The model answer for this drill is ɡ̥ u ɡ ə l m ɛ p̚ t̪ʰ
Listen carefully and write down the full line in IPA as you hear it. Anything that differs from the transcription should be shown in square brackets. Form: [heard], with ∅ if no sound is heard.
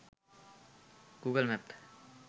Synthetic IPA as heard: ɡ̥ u ɡ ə l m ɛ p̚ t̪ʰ